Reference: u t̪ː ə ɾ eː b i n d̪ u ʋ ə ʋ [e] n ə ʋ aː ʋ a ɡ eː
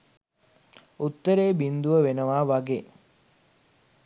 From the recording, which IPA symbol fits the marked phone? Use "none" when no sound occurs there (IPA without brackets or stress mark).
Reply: e